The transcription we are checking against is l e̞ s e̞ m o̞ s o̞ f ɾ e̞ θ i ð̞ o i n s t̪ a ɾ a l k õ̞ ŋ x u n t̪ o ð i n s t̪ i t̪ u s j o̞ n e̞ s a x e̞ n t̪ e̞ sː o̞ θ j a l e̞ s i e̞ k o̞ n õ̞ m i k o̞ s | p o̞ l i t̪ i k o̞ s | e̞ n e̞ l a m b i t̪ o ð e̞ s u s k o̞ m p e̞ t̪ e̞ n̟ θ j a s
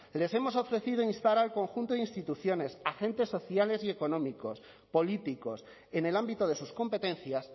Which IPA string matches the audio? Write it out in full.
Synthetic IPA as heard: l e̞ s e̞ m o̞ s o̞ f ɾ e̞ θ i ð̞ o i n s t̪ a ɾ a l k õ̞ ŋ x u n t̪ o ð i n s t̪ i t̪ u θ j o̞ n e̞ s a x e̞ n t̪ e̞ sː o̞ θ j a l e̞ s i e̞ k o̞ n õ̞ m i k o̞ s | p o̞ l i t̪ i k o̞ s | e̞ n e̞ l a m b i t̪ o ð e̞ s u s k o̞ m p e̞ t̪ e̞ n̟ θ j a s